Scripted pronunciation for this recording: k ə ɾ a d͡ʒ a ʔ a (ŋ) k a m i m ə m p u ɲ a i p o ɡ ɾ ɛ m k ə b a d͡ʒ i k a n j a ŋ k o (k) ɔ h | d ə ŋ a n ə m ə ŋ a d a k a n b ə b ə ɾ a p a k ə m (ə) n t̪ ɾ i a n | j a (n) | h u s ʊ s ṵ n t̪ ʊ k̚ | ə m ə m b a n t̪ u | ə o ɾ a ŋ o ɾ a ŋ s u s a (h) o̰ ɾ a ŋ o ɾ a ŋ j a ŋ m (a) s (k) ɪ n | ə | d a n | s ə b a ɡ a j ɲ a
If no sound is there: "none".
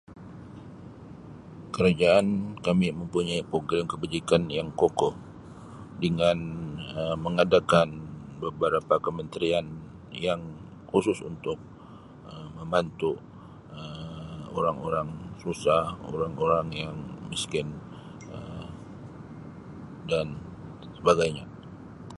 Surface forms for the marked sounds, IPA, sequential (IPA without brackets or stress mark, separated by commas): n, k, ə, ŋ, h, i, k